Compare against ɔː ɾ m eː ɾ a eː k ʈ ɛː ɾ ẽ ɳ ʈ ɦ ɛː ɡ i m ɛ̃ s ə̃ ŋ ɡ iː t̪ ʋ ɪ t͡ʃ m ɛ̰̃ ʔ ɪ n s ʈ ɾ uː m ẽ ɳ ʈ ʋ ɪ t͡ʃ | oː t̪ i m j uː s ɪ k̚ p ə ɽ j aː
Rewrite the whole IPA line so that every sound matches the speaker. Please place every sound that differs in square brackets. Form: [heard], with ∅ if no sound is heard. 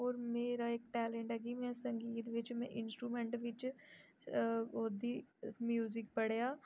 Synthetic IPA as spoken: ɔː ɾ m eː ɾ a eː k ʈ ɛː [l] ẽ ɳ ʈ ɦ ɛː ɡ i m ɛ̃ s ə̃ ŋ ɡ iː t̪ ʋ ɪ t͡ʃ m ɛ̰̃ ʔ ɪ n s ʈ ɾ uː m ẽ ɳ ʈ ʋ ɪ t͡ʃ | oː [d̪] i m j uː [z] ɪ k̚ p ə ɽ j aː